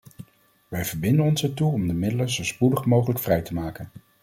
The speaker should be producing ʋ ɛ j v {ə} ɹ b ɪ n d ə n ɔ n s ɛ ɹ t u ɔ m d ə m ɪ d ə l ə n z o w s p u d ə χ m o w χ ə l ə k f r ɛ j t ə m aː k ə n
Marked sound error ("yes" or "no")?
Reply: no